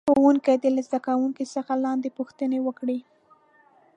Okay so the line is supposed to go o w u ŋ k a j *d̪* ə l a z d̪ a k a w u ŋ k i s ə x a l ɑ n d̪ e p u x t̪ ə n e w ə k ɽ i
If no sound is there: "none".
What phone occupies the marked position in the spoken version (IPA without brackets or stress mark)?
d̪